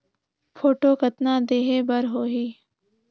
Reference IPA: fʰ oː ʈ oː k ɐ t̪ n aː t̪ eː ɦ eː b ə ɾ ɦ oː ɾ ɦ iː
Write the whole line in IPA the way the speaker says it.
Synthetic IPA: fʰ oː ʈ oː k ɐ t̪ n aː d̪ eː ɦ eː b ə ɾ ɦ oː ɦ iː

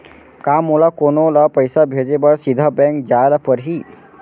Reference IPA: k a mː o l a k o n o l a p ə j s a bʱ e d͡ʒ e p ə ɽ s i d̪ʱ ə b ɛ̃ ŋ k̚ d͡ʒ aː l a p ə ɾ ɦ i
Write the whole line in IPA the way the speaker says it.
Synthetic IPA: k a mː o l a k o n o l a p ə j s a bʱ e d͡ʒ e b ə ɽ s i d̪ʱ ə b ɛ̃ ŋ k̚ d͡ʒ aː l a p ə ɾ ɦ i

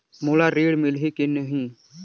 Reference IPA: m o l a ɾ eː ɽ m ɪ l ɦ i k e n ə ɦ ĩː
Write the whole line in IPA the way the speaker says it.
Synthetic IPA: m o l a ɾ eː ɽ m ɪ l ɦ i k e n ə ɦ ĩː

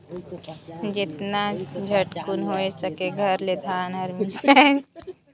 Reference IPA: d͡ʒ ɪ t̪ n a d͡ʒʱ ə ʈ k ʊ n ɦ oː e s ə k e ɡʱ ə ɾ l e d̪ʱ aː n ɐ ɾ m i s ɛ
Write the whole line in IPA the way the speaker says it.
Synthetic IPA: d͡ʒ ɪ t̪ n a d͡ʒʱ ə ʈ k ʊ n ɦ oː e s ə k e ɡʱ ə ɾ l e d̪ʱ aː n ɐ ɾ m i s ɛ

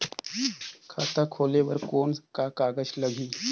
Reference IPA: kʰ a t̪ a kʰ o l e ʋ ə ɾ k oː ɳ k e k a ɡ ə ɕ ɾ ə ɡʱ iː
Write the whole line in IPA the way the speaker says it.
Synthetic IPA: kʰ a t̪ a kʰ o l e ʋ ə ɾ k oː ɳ k a k a ɡ ə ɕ l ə ɡʱ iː

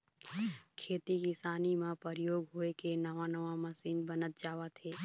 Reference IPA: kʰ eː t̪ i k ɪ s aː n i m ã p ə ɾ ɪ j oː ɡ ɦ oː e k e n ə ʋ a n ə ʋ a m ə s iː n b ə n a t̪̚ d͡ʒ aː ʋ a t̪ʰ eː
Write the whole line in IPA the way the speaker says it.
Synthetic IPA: kʰ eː t̪ i k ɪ s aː n i m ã p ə ɾ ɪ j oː ɡ ɦ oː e k e n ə ʋ a n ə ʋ a m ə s iː n b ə n ə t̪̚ d͡ʒ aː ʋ a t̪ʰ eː

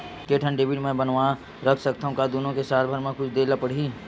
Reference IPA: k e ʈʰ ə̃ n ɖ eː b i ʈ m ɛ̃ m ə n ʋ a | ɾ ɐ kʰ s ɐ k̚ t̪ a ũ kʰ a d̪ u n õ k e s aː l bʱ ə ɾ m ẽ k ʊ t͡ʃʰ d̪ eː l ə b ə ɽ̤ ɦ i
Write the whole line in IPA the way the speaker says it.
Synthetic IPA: k e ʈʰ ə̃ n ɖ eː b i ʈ m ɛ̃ b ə n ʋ a | ɾ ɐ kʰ s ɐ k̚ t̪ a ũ k a d̪ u n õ k e s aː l bʱ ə ɾ m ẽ k ʊ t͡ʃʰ d̪ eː l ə p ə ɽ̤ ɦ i

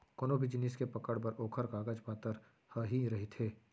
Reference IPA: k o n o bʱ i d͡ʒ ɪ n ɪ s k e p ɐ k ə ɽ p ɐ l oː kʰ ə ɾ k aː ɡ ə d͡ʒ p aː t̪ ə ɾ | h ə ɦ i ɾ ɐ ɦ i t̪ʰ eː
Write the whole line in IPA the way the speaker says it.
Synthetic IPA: k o n o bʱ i d͡ʒ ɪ n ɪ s k e p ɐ k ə ɽ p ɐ ɾ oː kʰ ə ɾ k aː ɡ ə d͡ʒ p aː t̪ ə ɾ | h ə ɦ i ɾ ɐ ɦ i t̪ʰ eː

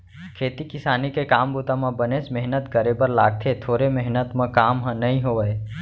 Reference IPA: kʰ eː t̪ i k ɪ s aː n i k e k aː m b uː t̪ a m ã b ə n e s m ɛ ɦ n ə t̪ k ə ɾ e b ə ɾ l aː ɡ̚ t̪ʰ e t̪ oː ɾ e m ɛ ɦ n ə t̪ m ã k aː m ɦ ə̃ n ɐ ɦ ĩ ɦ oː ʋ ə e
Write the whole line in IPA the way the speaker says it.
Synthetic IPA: kʰ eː t̪ i k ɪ s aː n i k e k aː m b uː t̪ a m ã b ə n e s m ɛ ɦ n ə t̪ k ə ɾ e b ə ɾ l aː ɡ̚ t̪ʰ e t̪ʰ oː ɾ e m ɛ ɦ n ə t̪ m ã k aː m ɦ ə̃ n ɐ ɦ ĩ ɦ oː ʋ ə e

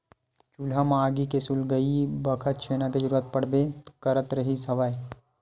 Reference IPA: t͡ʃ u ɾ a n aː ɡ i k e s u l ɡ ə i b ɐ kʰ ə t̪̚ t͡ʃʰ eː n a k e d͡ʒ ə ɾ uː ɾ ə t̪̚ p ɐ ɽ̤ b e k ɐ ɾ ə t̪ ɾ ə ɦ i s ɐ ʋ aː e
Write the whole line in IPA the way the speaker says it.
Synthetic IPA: t͡ʃ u l a m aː ɡ i k e s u l ɡ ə i b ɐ kʰ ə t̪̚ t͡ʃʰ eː n a k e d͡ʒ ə ɾ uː ɾ ə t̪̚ p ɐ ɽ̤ b e k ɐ ɾ ə t̪ ɾ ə ɦ i s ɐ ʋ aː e

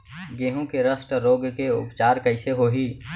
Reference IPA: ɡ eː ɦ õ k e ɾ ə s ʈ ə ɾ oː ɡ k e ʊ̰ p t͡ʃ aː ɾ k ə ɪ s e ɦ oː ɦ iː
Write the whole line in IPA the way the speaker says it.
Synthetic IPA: ɡ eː ɦ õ k e ɾ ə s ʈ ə ɾ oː ɡ k e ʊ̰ p t͡ʃ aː ɾ k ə ɪ s e ɦ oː ɦ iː

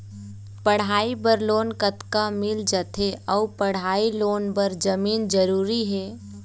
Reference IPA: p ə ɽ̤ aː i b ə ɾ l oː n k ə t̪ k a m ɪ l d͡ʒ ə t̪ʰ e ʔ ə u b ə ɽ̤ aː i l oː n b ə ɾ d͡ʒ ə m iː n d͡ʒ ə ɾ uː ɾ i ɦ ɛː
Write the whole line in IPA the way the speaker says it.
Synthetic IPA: p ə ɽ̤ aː i b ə ɾ l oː n k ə t̪ k a m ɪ l d͡ʒ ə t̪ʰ e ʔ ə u p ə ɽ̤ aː i l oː n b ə ɾ d͡ʒ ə m iː n d͡ʒ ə ɾ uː ɾ i ɦ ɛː

